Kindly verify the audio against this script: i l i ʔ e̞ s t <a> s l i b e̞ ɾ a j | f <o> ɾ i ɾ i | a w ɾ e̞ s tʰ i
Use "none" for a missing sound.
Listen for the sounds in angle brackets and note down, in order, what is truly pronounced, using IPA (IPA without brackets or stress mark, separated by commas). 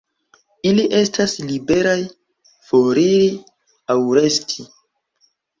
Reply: a, o